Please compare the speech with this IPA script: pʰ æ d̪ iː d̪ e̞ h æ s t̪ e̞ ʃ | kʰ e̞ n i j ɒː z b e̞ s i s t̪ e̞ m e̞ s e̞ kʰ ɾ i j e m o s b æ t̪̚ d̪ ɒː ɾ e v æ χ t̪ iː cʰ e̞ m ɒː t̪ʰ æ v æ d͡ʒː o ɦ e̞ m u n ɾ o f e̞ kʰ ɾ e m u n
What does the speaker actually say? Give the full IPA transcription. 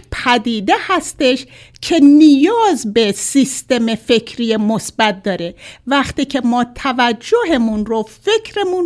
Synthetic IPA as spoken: pʰ æ d̪ iː d̪ e̞ h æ s t̪ e̞ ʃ | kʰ e̞ n i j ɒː z b e̞ s i s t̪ e̞ m e̞ f e̞ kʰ ɾ i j e m o s b æ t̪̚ d̪ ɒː ɾ e v æ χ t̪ iː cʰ e̞ m ɒː t̪ʰ æ v æ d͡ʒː o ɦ e̞ m u n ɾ o f e̞ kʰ ɾ e m u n